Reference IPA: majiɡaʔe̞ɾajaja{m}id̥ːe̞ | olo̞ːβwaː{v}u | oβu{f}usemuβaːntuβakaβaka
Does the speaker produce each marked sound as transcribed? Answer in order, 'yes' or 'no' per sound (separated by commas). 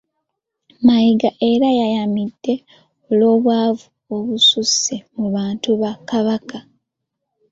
yes, yes, no